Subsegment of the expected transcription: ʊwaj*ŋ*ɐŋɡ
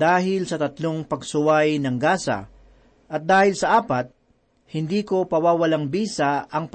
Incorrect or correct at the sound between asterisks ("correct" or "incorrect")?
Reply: incorrect